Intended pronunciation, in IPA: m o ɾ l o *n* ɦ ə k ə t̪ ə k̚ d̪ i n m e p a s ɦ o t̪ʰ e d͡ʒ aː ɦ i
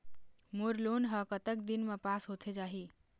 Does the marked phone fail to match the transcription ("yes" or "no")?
no